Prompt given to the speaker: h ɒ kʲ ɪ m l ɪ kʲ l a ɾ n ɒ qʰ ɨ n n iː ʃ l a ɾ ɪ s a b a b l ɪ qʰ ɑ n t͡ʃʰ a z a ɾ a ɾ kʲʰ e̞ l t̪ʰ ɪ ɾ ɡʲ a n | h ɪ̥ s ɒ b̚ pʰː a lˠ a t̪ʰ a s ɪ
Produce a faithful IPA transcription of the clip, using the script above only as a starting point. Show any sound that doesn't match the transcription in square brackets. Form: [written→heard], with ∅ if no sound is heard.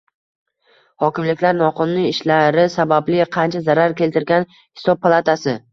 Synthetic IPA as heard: h ɒ kʲ ɪ m l ɪ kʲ l a ɾ n ɒ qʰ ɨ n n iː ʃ l a ɾ ɪ s a b a b l ɪ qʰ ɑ n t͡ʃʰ a z a ɾ a ɾ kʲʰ e̞ l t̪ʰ ɪ ɾ ɡʲ a n | h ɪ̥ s ɒ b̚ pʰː a lˠ a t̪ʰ a s ɪ

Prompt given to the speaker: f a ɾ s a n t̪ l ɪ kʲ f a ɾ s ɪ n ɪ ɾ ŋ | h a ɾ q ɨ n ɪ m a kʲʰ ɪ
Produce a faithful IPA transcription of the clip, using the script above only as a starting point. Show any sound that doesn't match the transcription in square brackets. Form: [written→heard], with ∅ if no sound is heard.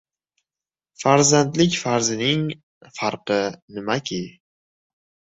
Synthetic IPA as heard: f a ɾ [s→z] a n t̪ l ɪ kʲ f a ɾ [s→z] ɪ n ɪ [ɾ→∅] ŋ | [h→f] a ɾ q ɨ n ɪ m a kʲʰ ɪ

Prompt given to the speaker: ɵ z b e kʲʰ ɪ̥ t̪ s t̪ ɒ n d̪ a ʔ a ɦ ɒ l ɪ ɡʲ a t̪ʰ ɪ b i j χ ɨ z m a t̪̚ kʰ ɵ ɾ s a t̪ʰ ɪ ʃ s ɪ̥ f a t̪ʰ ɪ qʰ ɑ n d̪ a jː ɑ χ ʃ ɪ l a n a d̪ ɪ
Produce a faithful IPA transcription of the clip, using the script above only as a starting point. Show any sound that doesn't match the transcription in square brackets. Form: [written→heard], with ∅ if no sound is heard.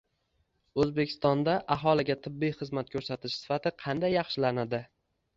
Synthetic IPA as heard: ɵ z b e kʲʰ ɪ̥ [t̪→∅] s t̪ ɒ n d̪ a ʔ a ɦ ɒ l ɪ ɡʲ a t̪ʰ ɪ [b→bː] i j χ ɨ z m a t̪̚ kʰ ɵ ɾ s a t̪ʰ ɪ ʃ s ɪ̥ f a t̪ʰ ɪ qʰ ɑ n d̪ a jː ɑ χ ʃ ɪ l a n a d̪ ɪ

